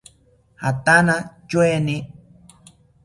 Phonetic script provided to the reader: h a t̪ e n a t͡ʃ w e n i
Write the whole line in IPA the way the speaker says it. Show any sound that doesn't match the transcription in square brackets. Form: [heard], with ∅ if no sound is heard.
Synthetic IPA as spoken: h a t̪ [a] n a t͡ʃ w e n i